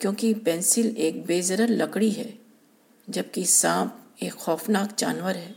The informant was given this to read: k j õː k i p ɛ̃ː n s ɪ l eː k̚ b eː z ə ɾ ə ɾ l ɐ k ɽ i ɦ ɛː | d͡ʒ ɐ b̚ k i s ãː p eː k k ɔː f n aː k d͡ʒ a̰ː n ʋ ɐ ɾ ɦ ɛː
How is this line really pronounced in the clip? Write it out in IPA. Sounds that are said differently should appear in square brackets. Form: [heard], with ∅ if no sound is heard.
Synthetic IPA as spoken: k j õː k i p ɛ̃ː n s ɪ l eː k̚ b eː z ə ɾ ə ɾ l ɐ k ɽ i ɦ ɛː | d͡ʒ ɐ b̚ k i s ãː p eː k [x] ɔː f n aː k d͡ʒ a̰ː n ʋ [ə] ɾ ɦ ɛː